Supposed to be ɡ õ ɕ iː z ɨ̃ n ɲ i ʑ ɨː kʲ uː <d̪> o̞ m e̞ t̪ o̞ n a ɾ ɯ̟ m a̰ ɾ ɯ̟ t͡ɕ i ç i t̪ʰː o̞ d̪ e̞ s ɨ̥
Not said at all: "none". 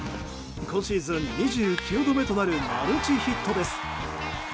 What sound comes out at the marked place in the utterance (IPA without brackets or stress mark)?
d̪